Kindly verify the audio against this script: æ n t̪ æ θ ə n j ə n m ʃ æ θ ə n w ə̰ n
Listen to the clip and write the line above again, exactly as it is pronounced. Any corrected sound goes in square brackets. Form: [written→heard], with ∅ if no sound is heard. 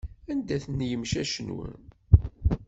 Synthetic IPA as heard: æ n [t̪→d̪] æ θ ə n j ə [n→∅] m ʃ æ [θ→ʃ] ə n w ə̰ n